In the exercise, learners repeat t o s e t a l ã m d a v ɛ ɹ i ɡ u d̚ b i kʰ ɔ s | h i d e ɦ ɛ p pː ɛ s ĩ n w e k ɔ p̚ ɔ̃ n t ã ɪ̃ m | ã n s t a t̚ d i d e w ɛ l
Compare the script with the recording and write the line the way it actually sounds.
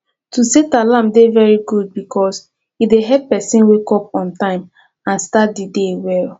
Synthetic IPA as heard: t u s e t a l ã m d e v ɛ ɹ i ɡ u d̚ b i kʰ ɔ s | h i d e ɦ ɛ p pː ɛ s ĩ n w e k ɔ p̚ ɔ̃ n t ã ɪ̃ m | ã n s t a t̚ d i d e w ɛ l